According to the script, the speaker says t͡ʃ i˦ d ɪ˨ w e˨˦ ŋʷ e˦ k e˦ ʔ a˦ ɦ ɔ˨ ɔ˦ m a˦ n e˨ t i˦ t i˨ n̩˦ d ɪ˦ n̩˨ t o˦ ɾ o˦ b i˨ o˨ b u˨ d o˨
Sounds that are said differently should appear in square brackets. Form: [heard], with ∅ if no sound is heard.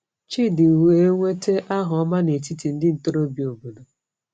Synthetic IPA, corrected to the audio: t͡ʃ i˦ d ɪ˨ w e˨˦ ŋʷ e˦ [t] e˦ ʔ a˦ ɦ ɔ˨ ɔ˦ m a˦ n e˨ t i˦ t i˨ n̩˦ d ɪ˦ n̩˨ t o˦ ɾ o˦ b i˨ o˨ b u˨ d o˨